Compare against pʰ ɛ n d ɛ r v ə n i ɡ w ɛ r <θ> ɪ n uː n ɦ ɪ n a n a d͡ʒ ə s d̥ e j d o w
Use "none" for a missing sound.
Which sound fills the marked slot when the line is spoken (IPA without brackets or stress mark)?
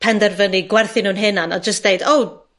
θ